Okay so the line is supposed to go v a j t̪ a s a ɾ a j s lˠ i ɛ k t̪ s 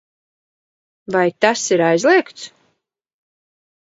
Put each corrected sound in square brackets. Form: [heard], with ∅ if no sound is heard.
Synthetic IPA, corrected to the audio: v a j t̪ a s [i] ɾ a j [z] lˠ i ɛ k t̪ s